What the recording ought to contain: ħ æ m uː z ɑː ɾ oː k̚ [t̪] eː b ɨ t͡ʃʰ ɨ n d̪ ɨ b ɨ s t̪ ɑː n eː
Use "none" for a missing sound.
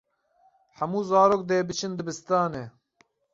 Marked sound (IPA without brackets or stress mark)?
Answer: d̪